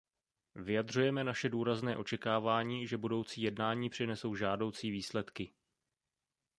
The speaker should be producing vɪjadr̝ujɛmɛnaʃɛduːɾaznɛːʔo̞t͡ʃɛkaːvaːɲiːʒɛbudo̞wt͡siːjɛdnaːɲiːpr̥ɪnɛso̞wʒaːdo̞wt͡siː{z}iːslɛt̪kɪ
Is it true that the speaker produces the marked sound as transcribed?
no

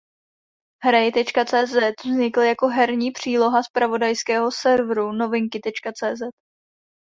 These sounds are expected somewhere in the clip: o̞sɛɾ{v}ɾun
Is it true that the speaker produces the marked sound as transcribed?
yes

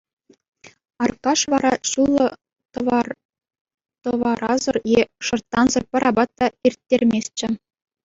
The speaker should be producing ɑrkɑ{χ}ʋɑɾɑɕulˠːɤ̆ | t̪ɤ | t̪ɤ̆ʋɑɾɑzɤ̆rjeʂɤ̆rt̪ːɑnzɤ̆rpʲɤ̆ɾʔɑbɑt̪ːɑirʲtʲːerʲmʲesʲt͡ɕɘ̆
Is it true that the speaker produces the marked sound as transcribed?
no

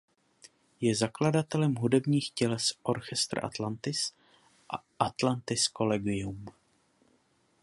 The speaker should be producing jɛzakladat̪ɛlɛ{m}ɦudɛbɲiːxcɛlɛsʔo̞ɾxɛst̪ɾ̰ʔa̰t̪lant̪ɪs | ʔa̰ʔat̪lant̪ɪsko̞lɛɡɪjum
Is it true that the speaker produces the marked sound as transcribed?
yes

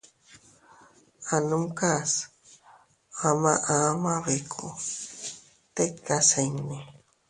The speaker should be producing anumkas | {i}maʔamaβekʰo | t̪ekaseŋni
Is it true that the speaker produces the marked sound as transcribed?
no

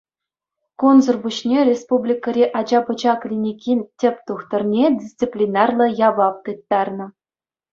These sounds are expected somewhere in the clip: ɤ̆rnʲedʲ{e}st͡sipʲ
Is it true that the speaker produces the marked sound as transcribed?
no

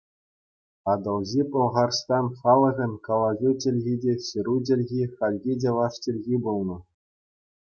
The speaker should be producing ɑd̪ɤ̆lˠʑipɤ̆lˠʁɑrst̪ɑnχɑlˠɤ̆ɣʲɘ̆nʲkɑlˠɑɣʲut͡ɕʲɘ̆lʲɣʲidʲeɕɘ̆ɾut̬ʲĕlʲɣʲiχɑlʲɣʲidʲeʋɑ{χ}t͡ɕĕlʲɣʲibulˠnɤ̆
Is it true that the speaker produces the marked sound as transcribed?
no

